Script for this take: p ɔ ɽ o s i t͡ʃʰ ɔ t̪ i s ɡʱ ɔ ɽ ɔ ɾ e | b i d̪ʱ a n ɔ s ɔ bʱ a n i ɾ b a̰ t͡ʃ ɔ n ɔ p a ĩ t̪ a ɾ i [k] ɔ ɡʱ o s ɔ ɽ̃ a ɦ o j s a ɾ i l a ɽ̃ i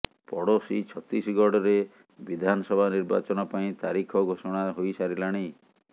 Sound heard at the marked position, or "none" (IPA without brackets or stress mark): kʰ